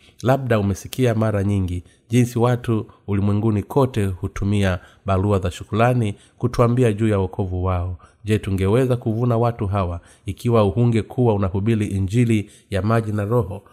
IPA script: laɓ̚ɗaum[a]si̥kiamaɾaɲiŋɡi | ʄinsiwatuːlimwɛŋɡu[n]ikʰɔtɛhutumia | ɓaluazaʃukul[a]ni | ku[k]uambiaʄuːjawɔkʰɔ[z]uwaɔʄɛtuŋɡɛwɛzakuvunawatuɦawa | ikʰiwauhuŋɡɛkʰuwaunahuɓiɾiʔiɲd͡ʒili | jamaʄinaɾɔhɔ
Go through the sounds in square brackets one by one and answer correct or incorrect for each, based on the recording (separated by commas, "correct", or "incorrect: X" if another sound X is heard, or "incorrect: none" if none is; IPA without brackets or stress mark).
incorrect: ɛ, correct, correct, incorrect: t, incorrect: v